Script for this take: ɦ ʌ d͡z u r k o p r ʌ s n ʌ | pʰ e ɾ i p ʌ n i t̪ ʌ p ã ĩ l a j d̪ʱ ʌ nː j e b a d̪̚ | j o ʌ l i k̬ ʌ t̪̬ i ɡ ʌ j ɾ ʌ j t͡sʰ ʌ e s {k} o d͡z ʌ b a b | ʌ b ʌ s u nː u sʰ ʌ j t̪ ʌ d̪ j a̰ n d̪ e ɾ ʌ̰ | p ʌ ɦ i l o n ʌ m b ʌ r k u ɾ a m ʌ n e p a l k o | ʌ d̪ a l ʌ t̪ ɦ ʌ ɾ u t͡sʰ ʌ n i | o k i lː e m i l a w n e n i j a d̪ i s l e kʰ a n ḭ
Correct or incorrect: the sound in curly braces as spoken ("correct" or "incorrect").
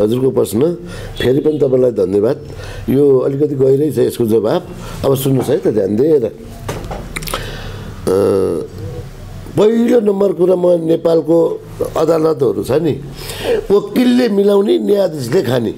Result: correct